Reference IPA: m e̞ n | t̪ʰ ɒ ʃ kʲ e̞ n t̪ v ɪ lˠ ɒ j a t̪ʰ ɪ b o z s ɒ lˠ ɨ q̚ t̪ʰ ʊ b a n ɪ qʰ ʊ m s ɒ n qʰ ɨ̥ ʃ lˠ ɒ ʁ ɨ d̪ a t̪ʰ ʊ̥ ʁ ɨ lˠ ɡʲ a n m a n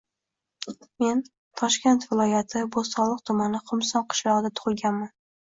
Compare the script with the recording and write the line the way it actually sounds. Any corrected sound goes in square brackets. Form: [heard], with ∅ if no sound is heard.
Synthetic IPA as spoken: m e̞ n | t̪ʰ ɒ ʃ kʲ e̞ n t̪ v ɪ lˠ ɒ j a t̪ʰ ɪ b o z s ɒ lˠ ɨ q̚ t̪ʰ ʊ [m] a n ɪ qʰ ʊ m s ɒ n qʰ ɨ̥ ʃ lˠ ɒ ʁ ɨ d̪ a t̪ʰ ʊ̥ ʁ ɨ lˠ ɡʲ a n m a n